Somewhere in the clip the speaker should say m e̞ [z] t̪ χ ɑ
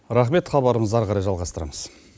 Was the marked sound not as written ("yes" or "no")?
yes